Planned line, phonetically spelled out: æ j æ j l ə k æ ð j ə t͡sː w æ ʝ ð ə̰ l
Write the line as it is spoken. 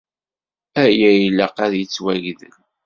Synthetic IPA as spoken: æ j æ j l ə q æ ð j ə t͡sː w æ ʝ ð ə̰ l